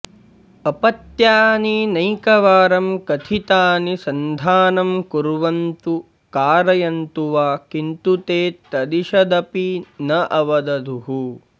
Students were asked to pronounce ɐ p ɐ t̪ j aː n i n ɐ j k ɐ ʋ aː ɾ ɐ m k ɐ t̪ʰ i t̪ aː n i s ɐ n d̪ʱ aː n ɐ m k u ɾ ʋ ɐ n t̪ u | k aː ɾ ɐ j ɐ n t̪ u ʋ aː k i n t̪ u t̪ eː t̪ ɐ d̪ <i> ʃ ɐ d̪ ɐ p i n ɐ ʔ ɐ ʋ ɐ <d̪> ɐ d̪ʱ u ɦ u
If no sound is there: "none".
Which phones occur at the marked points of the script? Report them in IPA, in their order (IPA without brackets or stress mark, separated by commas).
i, d̪